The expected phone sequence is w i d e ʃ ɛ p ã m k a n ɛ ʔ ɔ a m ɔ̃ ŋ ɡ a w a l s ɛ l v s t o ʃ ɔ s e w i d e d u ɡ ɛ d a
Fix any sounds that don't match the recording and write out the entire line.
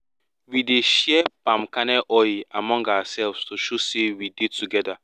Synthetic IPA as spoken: w i d e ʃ ɛ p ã m k a n ɛ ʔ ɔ a m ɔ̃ ŋ ɡ a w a s ɛ l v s t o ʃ o s e w i d e t u ɡ ɛ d a